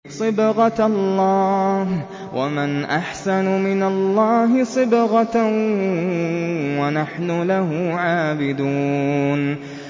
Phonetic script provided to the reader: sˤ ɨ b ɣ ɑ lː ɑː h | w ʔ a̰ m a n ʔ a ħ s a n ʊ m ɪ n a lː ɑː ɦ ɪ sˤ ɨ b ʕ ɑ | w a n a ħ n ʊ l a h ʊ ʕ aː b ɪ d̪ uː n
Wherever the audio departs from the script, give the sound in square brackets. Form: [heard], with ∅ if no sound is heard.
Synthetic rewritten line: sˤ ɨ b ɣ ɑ lː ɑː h | w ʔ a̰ m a n ʔ a ħ s a n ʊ m ɪ n a lː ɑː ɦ ɪ sˤ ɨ b [ɣ] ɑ | w a n a ħ n ʊ l a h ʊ ʕ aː b ɪ d̪ uː n